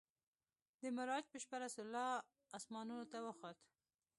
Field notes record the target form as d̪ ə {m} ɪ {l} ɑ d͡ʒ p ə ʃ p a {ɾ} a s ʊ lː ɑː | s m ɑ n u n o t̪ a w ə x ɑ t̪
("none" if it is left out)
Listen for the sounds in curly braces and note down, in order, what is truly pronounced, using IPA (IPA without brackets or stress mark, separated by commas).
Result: m, ɾ, ɾ